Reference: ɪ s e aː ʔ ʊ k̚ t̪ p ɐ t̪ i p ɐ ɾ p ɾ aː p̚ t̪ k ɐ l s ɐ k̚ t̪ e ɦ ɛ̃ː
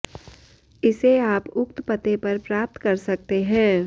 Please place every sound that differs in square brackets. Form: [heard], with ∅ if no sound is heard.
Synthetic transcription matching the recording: ɪ s e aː [p] ʊ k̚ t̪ p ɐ t̪ [e] p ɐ ɾ p ɾ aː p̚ t̪ k ɐ [ɾ] s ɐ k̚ t̪ e ɦ ɛ̃ː